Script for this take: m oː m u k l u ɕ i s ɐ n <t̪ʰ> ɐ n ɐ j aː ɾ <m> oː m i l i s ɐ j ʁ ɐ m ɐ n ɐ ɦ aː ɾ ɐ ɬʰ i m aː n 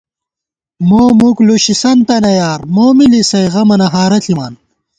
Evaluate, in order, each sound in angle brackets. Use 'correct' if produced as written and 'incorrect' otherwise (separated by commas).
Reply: incorrect, correct